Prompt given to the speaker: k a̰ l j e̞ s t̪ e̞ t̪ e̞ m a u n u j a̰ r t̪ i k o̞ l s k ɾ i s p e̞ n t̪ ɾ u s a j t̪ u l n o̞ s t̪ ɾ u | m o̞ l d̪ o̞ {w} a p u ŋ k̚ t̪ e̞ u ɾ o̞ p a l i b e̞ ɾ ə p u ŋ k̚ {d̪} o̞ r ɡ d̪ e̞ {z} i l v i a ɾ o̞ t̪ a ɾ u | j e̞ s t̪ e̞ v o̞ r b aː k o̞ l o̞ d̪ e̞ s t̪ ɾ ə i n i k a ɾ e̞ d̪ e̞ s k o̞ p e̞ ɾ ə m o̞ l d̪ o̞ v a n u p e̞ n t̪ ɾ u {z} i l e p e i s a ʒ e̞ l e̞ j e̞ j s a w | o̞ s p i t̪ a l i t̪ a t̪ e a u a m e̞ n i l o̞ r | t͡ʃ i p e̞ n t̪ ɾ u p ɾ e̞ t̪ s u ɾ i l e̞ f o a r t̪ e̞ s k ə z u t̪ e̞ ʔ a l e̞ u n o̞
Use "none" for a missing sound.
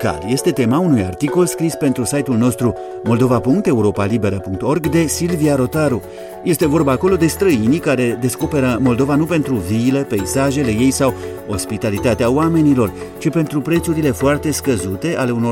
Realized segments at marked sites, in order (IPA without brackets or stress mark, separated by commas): v, t̪, s, v